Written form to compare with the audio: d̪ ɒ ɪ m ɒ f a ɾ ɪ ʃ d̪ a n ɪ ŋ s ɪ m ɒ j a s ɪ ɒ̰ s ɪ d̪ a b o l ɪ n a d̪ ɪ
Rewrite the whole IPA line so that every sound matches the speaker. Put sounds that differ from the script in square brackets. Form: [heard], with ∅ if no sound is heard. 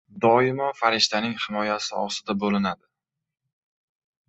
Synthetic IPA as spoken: d̪ ɒ ɪ m ɒ f a ɾ ɪ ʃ [t̪] a n ɪ ŋ [h] ɪ m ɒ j a s ɪ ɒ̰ s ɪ d̪ a b o l ɪ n a d̪ ɪ

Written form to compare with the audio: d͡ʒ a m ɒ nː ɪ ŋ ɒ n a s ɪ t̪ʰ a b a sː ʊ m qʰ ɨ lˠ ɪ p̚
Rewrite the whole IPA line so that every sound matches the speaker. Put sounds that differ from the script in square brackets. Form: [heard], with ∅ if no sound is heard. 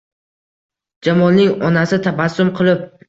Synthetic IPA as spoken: d͡ʒ a m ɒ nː ɪ ŋ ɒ n a s ɪ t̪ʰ a b a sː ʊ m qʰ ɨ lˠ ɪ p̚

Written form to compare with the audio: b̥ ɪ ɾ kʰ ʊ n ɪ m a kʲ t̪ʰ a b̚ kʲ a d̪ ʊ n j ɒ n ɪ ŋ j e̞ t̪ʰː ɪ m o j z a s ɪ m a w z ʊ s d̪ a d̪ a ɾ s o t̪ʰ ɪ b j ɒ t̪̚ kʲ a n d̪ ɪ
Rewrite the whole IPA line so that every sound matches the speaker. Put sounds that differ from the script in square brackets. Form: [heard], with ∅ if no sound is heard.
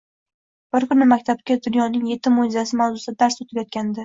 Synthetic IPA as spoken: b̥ ɪ ɾ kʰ ʊ n ɪ m a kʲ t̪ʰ a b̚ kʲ a d̪ ʊ n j ɒ n ɪ ŋ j e̞ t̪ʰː ɪ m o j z a s ɪ m a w z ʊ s d̪ a d̪ a ɾ s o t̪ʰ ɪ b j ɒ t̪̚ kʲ a n d̪ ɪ

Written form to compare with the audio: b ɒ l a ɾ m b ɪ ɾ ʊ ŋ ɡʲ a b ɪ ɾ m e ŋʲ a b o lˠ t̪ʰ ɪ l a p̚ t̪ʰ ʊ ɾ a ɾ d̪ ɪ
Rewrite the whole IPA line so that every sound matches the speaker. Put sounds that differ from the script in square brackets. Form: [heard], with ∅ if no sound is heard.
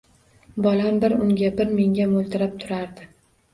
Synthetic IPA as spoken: b ɒ l a [∅] m b ɪ ɾ ʊ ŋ ɡʲ a b ɪ ɾ m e ŋʲ a [m] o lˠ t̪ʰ ɪ [ɾ] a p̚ t̪ʰ ʊ ɾ a ɾ d̪ ɪ

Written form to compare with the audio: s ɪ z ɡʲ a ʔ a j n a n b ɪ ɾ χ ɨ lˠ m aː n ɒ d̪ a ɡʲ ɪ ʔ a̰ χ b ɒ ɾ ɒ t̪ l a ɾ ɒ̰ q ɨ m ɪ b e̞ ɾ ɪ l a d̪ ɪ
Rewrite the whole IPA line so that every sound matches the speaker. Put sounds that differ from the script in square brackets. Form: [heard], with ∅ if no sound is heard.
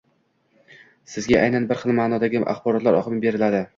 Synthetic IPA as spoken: s ɪ z ɡʲ a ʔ a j n a n b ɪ ɾ χ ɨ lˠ m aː n ɒ d̪ a ɡʲ ɪ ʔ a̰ χ b ɒ ɾ ɒ t̪ l a ɾ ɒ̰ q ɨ m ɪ b e̞ ɾ ɪ l a d̪ ɪ

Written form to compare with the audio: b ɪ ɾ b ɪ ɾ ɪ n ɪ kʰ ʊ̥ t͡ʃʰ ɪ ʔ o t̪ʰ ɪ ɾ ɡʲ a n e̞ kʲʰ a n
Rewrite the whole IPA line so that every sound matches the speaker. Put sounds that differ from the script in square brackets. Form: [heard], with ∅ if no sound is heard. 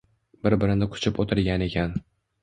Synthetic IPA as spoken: b ɪ ɾ b ɪ ɾ ɪ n ɪ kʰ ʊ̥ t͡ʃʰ ɪ [p] o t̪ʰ ɪ ɾ ɡʲ a n e̞ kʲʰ a n

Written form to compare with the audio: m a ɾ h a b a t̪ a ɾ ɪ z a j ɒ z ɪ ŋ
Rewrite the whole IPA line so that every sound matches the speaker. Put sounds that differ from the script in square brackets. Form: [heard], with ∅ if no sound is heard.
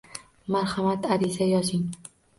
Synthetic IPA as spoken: m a ɾ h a [m] a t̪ a ɾ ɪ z a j ɒ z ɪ ŋ

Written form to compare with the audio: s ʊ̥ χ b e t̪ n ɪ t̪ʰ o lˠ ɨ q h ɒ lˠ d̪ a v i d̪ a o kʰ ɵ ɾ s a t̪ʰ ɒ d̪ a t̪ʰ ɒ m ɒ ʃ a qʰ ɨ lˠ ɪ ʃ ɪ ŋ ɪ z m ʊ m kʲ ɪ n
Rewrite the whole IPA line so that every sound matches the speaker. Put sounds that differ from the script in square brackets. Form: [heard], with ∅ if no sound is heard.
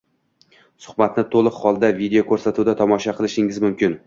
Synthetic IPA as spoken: s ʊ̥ χ b [a] t̪ n ɪ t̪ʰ o lˠ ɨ q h ɒ lˠ d̪ a v i d̪ [e] o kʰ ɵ ɾ s a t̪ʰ [u] d̪ a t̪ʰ ɒ m ɒ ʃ a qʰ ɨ lˠ ɪ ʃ ɪ ŋ ɪ z m ʊ m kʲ ɪ n

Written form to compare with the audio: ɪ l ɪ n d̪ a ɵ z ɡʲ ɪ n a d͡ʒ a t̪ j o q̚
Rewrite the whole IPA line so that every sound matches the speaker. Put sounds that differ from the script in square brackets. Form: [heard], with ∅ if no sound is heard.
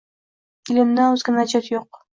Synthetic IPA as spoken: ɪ l ɪ [m] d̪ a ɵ z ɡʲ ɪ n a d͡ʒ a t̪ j o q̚

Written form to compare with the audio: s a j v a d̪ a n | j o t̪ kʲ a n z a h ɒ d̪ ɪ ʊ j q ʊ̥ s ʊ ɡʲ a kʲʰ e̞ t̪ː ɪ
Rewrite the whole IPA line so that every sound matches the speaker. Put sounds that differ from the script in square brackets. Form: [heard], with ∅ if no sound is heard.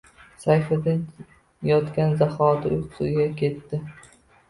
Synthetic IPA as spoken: s a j [f] a d̪ a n | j [ɒ] t̪ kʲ a n z a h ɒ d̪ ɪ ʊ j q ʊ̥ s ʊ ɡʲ a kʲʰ e̞ t̪ː ɪ

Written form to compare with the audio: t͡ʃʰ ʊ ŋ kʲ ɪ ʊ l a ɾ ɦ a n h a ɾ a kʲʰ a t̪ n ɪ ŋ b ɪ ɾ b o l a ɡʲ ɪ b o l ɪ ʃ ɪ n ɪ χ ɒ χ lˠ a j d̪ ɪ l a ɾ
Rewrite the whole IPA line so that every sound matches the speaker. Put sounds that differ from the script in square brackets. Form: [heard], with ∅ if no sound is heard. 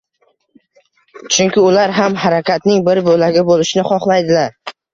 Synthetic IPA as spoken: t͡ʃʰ ʊ ŋ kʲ ɪ ʊ l a ɾ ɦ a [m] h a ɾ a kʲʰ a t̪ n ɪ ŋ b ɪ ɾ b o l a ɡʲ ɪ b o l ɪ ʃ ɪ n ɪ χ ɒ χ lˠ a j d̪ ɪ l a ɾ

